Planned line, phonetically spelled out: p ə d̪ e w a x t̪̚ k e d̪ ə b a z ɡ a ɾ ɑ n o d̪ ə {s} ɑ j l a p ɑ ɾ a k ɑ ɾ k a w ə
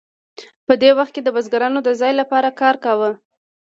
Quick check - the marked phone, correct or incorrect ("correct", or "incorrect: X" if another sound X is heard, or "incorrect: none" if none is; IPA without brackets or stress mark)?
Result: incorrect: z